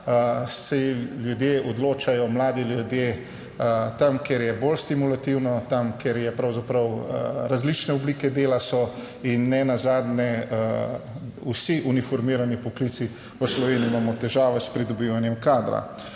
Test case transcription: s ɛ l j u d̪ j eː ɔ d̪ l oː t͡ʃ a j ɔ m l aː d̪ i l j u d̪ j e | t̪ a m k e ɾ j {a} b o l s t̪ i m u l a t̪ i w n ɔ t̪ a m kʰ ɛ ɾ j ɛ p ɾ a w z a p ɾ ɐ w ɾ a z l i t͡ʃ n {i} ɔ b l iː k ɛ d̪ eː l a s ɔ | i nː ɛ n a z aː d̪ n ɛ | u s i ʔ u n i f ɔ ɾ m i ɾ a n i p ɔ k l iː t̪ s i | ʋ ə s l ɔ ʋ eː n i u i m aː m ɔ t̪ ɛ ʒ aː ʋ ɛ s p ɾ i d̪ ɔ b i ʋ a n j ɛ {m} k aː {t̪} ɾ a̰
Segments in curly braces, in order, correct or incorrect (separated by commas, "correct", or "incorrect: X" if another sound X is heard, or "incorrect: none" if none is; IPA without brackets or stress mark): incorrect: ɛ, incorrect: ɛ, correct, incorrect: d̪